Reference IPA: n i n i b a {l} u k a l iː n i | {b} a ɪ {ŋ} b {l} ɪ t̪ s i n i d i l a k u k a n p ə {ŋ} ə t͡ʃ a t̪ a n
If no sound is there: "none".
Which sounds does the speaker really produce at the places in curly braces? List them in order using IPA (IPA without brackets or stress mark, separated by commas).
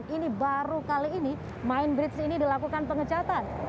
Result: ɾ, m, n, ɾ, ŋ